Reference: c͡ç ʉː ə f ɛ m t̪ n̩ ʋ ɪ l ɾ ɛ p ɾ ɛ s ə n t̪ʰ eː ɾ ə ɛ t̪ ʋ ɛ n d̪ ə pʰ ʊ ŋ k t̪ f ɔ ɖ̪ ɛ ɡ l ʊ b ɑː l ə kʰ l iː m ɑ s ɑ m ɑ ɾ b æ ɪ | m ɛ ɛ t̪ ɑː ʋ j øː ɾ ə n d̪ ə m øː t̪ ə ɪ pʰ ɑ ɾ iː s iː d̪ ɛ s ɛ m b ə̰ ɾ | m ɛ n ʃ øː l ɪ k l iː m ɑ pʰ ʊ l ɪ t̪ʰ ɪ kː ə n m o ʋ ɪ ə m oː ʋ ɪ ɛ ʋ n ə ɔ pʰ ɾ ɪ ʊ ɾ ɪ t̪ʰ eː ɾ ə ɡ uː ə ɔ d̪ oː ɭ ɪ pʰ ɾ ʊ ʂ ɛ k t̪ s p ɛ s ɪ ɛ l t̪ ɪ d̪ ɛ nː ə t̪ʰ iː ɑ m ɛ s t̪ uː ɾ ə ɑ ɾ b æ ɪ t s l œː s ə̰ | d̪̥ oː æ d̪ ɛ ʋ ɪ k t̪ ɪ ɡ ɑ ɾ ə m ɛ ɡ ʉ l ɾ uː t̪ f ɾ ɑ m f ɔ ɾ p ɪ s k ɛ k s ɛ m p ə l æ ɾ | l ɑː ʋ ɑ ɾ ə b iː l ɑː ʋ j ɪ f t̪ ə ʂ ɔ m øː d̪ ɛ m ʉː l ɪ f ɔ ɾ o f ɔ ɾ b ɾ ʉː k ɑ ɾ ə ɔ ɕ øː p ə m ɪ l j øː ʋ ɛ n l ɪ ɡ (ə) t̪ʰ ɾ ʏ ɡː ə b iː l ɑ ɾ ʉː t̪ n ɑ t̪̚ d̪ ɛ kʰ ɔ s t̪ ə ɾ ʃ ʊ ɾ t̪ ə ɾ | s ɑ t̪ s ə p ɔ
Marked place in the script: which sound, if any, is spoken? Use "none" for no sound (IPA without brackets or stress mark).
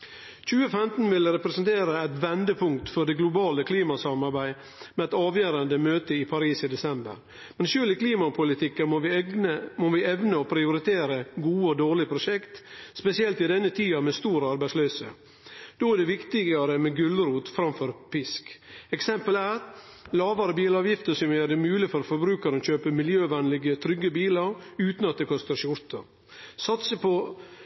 ə